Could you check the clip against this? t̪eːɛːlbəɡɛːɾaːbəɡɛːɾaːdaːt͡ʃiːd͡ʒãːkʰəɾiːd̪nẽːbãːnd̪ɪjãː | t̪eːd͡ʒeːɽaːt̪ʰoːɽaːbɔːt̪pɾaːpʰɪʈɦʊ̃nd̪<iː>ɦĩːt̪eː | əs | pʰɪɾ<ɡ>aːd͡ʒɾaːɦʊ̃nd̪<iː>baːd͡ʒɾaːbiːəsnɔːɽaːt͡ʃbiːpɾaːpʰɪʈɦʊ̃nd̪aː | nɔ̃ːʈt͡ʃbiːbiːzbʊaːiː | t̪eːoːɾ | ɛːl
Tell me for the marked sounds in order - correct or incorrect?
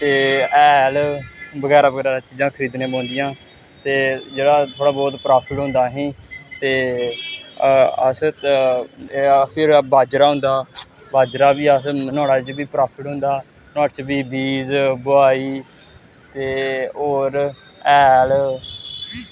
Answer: incorrect, incorrect, incorrect

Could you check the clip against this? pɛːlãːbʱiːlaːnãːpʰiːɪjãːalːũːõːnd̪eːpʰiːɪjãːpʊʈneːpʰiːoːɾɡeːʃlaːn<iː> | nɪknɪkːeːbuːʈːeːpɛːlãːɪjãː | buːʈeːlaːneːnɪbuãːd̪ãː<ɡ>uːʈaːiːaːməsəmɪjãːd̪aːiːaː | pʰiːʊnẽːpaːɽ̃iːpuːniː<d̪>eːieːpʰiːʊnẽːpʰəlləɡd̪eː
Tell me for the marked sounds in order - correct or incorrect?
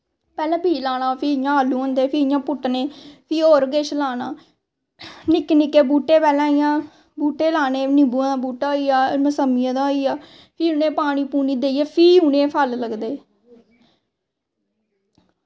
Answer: incorrect, incorrect, correct

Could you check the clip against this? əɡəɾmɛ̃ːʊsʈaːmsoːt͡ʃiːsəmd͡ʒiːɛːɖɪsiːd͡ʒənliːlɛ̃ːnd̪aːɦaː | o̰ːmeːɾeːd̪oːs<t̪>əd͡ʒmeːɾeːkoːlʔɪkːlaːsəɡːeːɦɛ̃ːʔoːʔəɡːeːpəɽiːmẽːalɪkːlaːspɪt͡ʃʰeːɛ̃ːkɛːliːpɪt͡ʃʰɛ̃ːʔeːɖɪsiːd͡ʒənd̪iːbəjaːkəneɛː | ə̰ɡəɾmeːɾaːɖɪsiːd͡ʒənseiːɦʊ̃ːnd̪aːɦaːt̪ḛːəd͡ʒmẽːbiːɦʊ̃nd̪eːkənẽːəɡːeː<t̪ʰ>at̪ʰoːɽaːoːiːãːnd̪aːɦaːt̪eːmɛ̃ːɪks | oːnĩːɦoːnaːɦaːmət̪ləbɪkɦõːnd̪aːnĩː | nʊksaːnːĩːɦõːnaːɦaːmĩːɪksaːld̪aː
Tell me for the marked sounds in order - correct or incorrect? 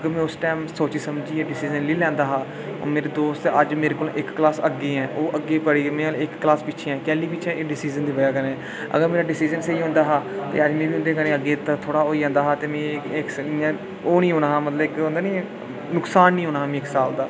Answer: correct, incorrect

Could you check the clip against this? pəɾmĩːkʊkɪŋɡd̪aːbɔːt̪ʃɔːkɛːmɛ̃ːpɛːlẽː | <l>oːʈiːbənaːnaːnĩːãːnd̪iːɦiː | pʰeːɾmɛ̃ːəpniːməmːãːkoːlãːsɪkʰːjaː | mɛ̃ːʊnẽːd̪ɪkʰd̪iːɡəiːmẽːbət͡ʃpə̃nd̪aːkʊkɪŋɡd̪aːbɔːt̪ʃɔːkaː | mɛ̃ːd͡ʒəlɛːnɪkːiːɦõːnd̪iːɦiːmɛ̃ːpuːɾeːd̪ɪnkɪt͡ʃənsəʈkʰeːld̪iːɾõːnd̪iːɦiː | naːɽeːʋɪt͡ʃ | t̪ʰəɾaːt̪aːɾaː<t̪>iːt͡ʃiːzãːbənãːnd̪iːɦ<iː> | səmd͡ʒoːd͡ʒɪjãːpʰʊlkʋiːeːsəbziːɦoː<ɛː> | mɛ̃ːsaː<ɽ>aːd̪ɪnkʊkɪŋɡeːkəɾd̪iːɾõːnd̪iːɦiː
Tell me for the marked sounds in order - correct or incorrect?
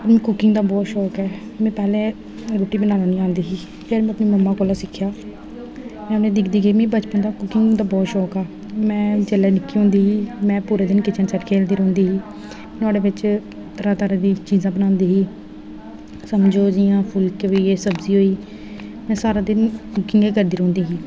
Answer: incorrect, incorrect, correct, incorrect, incorrect

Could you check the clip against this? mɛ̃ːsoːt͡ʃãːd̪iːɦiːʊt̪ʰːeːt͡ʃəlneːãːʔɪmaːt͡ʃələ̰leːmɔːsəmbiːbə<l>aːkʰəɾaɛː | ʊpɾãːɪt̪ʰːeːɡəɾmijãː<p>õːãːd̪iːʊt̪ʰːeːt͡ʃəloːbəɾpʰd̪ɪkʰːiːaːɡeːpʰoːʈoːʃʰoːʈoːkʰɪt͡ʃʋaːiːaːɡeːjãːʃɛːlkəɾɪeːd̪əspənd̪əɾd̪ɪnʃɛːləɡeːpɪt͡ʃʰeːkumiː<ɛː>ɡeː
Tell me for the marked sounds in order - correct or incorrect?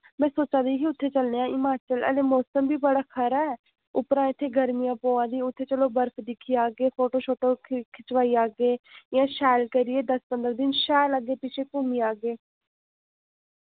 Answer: incorrect, correct, incorrect

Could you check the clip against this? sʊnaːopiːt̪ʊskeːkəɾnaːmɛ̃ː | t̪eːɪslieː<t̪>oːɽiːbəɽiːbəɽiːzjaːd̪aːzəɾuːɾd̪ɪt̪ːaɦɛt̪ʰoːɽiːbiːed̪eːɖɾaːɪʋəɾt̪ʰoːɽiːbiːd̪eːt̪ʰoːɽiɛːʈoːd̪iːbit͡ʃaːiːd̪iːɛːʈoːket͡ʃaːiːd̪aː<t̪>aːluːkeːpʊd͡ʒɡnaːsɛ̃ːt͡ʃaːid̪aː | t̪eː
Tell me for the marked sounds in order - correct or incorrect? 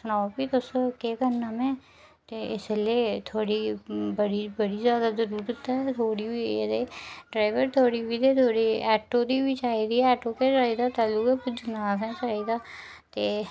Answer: incorrect, correct

